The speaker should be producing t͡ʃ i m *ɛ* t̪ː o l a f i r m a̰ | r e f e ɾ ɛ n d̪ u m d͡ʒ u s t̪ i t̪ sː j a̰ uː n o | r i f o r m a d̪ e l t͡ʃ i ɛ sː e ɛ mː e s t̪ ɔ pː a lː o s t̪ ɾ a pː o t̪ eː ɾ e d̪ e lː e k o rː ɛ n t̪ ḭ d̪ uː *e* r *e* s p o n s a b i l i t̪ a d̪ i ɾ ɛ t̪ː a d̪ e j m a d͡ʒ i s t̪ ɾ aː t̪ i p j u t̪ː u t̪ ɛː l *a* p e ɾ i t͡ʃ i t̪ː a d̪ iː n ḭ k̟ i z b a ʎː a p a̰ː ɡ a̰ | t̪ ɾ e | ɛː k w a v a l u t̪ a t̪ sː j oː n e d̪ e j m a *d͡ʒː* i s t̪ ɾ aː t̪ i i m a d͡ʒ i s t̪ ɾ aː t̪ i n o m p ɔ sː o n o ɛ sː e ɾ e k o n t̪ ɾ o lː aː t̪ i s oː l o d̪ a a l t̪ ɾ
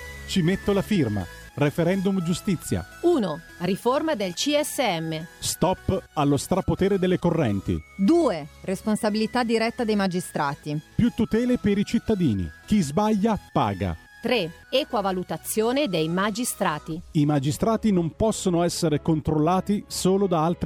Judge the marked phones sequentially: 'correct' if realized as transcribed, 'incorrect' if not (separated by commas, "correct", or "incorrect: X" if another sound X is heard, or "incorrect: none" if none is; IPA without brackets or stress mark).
incorrect: e, correct, correct, incorrect: e, incorrect: d͡ʒ